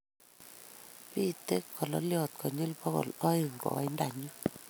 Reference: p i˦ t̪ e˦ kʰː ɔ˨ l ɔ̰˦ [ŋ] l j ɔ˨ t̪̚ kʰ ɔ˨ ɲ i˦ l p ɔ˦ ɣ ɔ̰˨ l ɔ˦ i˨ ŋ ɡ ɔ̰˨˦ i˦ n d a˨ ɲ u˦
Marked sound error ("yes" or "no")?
yes